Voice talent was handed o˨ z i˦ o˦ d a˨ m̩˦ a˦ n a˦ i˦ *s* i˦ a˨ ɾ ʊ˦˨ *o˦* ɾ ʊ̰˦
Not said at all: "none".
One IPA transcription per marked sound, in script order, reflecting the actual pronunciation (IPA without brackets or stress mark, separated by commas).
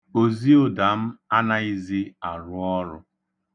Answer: z, ɔ˦